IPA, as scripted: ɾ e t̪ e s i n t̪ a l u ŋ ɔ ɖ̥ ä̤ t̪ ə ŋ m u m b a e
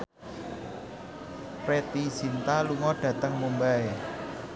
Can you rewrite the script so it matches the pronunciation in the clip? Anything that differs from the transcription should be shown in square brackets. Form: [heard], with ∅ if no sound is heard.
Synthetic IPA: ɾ e t̪ [i] s i n t̪ a l u ŋ ɔ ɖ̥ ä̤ t̪ ə ŋ m u m b a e